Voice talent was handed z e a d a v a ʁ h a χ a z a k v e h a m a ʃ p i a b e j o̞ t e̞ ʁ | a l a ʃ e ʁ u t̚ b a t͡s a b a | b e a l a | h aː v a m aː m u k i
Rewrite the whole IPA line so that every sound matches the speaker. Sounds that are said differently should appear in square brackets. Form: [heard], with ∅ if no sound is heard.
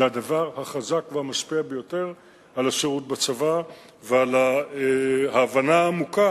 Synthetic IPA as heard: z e a d a v a ʁ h a χ a z a k v e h a m a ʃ p i a b e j o̞ t e̞ ʁ | a l a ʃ e ʁ u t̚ b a t͡s a [v] a | [v] e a l a | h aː v a [n] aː m u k [a]